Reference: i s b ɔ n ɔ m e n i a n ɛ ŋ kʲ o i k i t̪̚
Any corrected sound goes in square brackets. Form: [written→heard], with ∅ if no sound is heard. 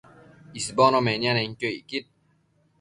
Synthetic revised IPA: i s b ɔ n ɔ m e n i a n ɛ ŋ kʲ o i k i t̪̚